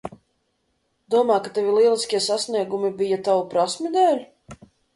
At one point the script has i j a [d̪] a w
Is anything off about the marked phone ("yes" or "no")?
yes